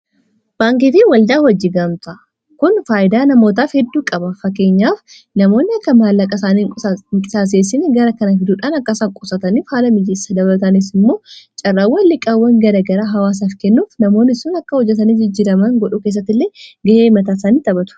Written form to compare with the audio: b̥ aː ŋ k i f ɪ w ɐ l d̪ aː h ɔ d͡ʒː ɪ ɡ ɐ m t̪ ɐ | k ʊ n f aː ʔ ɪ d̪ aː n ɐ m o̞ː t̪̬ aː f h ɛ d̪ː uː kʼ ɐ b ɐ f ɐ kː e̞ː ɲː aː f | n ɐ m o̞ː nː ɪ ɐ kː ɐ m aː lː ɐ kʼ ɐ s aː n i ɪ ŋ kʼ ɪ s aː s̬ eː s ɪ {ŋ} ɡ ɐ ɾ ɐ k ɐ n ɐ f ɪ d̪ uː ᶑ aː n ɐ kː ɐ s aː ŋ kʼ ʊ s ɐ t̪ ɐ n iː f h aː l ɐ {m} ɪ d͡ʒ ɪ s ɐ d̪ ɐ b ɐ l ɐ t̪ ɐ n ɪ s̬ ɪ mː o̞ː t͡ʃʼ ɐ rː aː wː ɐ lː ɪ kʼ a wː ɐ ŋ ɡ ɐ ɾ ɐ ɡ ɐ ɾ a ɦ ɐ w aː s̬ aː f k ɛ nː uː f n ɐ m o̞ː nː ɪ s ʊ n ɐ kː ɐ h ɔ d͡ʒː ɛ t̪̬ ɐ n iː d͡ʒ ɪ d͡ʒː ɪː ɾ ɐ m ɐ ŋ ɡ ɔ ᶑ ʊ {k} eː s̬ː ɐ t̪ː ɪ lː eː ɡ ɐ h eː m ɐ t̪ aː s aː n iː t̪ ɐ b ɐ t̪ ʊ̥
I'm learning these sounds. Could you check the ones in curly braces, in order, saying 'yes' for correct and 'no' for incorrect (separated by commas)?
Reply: no, yes, yes